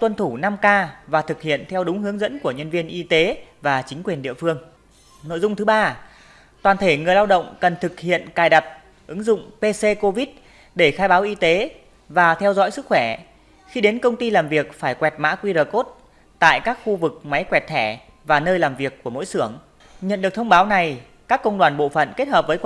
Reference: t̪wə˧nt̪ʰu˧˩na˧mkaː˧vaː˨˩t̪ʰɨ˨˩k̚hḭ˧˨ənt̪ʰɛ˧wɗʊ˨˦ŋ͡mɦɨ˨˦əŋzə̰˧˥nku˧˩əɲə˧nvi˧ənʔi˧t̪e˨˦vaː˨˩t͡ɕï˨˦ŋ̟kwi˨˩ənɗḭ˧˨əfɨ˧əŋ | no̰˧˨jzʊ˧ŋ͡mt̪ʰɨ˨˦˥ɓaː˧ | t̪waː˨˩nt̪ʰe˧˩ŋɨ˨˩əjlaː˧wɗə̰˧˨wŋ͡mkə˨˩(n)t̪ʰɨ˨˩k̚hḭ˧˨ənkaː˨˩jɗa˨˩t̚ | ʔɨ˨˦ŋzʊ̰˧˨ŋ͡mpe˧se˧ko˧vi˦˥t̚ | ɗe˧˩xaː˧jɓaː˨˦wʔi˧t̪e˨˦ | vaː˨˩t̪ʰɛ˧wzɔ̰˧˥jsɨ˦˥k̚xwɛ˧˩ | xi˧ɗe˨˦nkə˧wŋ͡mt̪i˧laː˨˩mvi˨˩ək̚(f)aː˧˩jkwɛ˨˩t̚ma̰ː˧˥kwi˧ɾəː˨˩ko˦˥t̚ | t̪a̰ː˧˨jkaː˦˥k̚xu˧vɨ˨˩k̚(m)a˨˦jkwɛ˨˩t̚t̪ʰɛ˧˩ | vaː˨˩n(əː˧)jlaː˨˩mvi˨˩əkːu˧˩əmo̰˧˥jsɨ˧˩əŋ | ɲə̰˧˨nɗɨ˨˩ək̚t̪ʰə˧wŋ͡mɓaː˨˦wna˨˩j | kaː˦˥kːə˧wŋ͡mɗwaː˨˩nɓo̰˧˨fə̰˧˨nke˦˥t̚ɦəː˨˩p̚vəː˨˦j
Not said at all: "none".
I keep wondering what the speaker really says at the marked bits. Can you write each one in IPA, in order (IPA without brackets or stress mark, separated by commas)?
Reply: n, f, m, əː˧